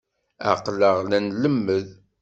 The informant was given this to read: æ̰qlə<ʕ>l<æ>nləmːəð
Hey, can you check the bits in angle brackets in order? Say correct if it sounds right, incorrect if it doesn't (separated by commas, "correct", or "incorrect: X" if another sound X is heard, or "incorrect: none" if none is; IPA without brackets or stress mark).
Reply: incorrect: ʁ, correct